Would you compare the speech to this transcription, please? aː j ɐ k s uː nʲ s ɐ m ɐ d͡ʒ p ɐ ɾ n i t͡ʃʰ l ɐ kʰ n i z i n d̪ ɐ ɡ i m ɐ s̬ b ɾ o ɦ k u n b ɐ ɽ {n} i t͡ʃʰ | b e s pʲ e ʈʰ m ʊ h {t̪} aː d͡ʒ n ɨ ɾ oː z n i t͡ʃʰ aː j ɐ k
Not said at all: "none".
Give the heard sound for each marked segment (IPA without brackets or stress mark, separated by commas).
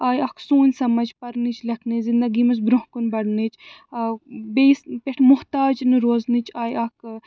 n, t̪